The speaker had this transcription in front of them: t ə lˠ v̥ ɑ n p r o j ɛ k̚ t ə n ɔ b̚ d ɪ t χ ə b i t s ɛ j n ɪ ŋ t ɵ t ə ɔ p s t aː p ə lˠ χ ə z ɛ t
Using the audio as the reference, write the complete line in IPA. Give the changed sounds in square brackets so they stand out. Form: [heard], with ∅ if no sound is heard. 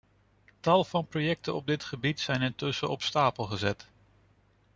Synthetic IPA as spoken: t [ɑ] lˠ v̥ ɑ n p r o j ɛ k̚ t ə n ɔ b̚ d ɪ t χ ə b i t s ɛ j n ɪ [n] t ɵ [s] ə ɔ p s t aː p ə lˠ χ ə z ɛ t